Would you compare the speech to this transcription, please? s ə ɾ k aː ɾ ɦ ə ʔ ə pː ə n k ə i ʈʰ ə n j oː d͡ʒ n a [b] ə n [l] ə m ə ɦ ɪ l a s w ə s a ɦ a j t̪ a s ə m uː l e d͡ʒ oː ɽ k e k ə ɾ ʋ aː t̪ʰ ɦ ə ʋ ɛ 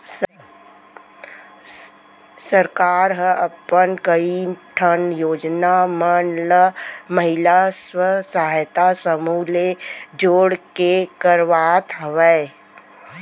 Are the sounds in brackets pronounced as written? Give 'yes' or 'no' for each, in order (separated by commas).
no, yes